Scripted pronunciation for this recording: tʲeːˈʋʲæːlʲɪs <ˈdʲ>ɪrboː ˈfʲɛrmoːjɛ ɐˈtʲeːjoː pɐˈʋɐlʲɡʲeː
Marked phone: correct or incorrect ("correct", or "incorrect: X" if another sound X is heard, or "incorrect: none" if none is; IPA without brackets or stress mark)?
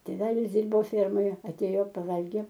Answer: correct